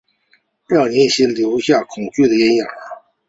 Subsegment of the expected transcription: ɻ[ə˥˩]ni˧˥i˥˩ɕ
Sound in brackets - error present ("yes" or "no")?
yes